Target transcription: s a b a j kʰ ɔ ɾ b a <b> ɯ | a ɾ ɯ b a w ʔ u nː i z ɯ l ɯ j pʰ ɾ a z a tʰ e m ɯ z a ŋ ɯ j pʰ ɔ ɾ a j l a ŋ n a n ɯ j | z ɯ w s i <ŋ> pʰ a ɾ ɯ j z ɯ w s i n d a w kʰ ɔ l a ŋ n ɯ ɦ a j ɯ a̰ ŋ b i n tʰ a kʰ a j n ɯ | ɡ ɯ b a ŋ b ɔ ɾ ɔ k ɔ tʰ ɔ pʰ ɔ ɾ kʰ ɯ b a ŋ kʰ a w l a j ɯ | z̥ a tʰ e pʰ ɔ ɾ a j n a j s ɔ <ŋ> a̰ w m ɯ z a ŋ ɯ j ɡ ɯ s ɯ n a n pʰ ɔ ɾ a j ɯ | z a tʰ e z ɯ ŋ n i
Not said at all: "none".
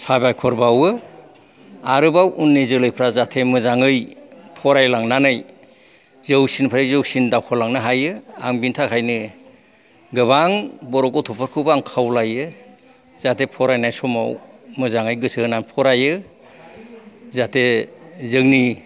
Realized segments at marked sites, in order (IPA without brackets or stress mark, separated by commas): w, n, m